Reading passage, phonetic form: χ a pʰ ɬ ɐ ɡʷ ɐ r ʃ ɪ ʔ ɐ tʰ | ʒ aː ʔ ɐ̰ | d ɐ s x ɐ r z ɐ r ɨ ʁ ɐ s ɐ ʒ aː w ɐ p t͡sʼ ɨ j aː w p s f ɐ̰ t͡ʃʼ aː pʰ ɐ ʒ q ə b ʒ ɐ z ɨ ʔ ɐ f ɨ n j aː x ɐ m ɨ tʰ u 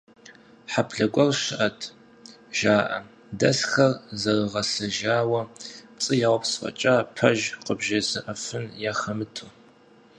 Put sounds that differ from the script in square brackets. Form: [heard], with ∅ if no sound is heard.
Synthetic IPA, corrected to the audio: [ħ] a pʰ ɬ ɐ ɡʷ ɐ r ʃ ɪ ʔ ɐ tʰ | ʒ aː ʔ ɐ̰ | d ɐ s x ɐ r z ɐ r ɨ ʁ ɐ s ɐ ʒ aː w ɐ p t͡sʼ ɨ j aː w p s f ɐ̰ t͡ʃʼ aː pʰ ɐ ʒ q ə b ʒ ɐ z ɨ ʔ ɐ f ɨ n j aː x ɐ m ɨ tʰ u